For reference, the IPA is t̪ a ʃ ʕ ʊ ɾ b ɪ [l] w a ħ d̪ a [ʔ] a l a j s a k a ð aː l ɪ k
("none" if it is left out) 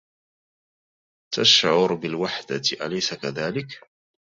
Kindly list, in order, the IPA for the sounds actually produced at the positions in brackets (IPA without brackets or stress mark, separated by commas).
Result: l, ʔ